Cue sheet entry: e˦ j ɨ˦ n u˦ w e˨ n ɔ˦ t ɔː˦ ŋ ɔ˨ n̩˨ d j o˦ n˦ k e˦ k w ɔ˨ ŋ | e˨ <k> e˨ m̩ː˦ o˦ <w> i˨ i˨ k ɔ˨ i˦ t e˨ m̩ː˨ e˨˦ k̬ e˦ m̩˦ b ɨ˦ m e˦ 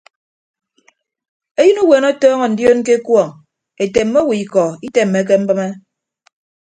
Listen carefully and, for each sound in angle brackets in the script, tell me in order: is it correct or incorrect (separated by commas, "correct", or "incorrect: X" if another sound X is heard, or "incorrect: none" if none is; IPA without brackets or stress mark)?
incorrect: t, correct